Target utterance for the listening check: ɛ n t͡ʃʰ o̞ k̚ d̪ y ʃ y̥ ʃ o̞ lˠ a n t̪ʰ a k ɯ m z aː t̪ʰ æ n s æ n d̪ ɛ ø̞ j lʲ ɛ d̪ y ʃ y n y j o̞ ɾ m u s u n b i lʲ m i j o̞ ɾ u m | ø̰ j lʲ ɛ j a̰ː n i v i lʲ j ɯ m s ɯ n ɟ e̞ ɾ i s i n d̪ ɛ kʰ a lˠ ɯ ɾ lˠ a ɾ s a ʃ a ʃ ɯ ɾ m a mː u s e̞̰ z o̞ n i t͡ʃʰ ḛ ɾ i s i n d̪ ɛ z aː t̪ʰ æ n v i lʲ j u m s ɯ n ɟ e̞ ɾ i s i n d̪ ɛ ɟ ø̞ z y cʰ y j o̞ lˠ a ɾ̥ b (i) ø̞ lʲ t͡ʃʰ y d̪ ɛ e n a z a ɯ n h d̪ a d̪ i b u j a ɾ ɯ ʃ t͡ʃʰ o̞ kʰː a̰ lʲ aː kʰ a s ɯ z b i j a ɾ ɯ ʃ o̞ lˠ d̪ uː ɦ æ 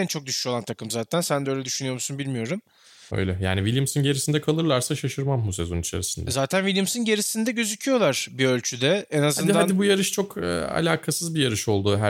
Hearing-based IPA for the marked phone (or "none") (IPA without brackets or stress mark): i